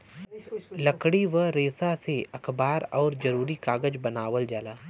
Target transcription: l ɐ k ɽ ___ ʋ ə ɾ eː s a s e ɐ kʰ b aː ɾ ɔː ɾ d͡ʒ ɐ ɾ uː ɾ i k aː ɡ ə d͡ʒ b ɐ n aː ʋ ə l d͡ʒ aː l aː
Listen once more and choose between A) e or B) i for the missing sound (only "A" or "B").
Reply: B